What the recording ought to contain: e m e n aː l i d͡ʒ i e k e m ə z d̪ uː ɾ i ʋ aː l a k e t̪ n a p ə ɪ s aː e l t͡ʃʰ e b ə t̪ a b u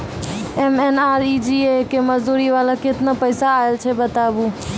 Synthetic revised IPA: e m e n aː ɾ i d͡ʒ i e k e m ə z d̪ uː ɾ i ʋ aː l a k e t̪ n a p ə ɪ s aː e l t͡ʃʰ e b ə t̪ a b u